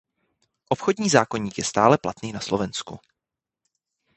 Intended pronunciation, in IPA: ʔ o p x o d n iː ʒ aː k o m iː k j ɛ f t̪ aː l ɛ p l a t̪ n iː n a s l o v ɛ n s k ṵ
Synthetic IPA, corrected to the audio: ʔ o p x o d ɲ iː z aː k o ɲ iː k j ɛ s t̪ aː l ɛ p l a t̪ n iː n a s l o v ɛ n s k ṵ